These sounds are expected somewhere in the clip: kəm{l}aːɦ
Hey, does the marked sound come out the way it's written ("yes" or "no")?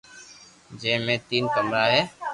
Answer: no